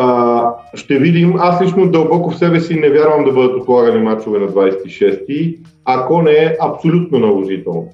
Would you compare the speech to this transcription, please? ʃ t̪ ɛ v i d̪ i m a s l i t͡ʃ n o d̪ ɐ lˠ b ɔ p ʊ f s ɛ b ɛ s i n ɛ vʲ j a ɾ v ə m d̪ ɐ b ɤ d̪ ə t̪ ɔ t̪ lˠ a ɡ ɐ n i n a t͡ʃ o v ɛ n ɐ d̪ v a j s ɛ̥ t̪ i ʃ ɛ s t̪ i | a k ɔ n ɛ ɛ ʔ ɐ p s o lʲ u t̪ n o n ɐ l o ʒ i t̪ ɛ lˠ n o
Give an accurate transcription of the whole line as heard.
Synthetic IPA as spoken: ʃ t̪ ɛ v i d̪ i m a s l i t͡ʃ n o d̪ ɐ lˠ b ɔ k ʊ f s ɛ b ɛ s i n ɛ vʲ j a ɾ v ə m d̪ ɐ b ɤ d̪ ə t̪ o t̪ lˠ a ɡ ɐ n i m a t͡ʃ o v ɛ n ɐ d̪ v a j s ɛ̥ t̪ i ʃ ɛ s t̪ i | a k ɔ n ɛ ɛ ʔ ɐ p s o lʲ u t̪ n o n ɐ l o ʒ i t̪ ɛ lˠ n o